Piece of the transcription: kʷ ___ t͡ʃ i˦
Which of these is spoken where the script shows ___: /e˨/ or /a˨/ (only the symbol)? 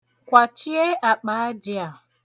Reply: a˨